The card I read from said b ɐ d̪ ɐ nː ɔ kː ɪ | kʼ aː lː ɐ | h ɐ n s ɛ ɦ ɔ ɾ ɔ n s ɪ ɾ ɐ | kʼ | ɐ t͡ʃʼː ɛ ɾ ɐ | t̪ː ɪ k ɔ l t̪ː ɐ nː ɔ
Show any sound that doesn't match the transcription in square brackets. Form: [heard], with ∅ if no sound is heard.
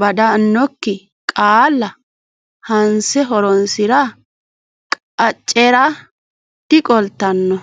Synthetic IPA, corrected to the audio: b ɐ d̪ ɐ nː ɔ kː ɪ | kʼ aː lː ɐ | h ɐ n s ɛ ɦ ɔ ɾ ɔ n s ɪ ɾ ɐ | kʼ | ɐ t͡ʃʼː ɛ ɾ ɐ | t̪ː ɪ [kʼ] ɔ l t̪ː ɐ nː ɔ